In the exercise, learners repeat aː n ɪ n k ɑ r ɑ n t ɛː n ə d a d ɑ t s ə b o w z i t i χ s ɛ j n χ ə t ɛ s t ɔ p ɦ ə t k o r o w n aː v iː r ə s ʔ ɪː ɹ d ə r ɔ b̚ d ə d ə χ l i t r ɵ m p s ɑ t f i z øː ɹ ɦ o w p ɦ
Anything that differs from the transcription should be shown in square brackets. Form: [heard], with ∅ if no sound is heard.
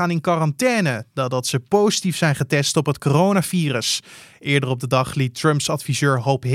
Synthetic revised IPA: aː n ɪ n k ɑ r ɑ n t ɛː n ə d a d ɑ t s ə [p] o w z i t i [f] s ɛ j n χ ə t ɛ s t ɔ p ɦ ə t k o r o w n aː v iː r ə s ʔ ɪː ɹ d ə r ɔ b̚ d ə d [ɑ] χ l i t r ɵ m p s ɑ t f i z øː ɹ ɦ o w p ɦ